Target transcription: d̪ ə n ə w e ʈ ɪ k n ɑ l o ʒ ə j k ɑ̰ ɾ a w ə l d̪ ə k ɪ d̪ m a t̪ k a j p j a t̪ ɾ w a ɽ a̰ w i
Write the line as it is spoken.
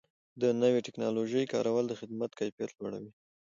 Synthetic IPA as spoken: d̪ ə n ə w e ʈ ɪ k n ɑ l o ʒ ə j k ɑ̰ ɾ a w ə l d̪ ə x ɪ d̪ m a t̪ k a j p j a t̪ l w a ɽ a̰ w i